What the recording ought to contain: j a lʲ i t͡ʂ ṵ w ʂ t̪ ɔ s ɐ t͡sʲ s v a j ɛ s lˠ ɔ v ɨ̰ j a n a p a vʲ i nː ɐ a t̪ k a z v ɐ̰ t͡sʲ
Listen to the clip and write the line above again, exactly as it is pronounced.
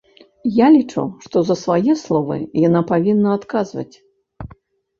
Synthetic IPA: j a lʲ i t͡ʂ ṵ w ʂ t̪ ɔ z ɐ s v a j ɛ s lˠ ɔ v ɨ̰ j a n a p a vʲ i nː ɐ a t̪ k a z v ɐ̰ t͡sʲ